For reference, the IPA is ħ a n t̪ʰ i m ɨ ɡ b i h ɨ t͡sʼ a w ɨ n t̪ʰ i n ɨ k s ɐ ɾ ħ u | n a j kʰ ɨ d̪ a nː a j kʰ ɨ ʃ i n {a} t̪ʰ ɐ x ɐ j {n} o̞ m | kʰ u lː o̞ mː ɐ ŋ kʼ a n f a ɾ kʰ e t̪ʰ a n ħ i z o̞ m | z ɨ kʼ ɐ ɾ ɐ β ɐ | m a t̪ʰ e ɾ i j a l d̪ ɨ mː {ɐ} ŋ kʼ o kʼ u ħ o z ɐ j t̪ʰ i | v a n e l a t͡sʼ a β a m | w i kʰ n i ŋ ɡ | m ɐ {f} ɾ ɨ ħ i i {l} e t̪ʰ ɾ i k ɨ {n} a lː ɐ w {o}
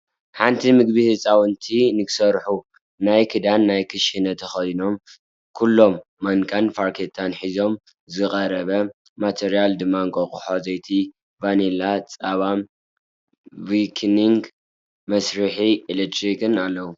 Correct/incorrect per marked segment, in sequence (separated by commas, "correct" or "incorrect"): incorrect, correct, incorrect, incorrect, correct, correct, incorrect